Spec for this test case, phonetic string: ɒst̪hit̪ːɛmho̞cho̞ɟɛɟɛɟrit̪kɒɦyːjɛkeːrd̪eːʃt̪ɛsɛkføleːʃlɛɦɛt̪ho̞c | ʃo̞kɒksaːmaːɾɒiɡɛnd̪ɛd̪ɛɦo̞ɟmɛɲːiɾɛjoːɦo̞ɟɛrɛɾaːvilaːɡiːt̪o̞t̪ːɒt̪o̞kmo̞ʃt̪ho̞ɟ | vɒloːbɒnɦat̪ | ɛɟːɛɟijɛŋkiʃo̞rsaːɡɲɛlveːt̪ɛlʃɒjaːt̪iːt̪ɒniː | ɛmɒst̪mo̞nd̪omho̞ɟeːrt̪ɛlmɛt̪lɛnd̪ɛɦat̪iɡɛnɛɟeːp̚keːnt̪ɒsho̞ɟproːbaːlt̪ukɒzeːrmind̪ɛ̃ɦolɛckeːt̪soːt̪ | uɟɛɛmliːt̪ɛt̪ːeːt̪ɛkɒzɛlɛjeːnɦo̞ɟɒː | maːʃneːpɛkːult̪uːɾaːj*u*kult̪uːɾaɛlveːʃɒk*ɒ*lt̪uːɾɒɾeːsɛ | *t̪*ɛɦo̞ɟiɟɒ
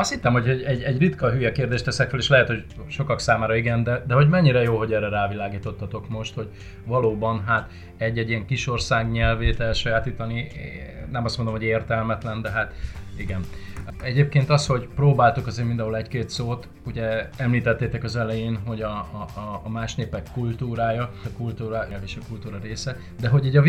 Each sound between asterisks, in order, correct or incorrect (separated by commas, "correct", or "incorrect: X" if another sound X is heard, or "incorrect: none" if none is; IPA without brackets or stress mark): incorrect: ɒ, incorrect: u, incorrect: d̪